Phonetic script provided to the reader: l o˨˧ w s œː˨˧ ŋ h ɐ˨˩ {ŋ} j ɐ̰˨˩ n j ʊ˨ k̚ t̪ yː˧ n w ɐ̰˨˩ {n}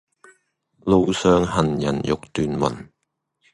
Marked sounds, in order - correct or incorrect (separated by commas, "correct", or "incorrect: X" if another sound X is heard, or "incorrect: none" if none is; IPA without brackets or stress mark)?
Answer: incorrect: n, correct